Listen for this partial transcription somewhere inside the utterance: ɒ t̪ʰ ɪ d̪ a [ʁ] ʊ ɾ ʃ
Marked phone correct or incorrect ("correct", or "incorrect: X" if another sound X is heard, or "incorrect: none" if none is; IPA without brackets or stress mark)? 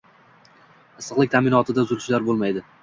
incorrect: z